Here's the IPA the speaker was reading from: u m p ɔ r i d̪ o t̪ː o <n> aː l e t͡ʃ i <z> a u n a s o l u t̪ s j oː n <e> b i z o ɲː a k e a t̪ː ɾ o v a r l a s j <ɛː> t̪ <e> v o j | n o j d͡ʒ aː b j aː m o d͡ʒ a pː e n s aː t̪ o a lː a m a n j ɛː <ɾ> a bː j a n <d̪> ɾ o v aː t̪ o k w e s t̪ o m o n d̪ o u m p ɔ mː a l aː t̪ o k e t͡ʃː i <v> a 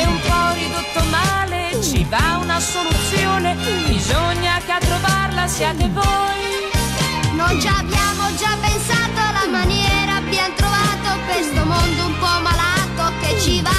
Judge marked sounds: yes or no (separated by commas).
no, no, yes, no, yes, yes, no, yes